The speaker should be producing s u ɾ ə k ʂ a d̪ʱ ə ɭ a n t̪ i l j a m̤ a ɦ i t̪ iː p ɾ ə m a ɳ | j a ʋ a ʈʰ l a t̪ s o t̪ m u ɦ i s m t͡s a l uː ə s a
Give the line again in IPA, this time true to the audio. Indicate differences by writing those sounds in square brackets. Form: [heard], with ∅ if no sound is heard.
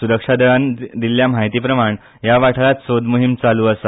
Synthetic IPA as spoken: s u ɾ ə k ʂ a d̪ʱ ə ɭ a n [d̪] i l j a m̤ a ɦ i t̪ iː p ɾ ə m a ɳ | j a ʋ a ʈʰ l a t̪ s o [d̪] m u ɦ i [∅] m t͡s a l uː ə s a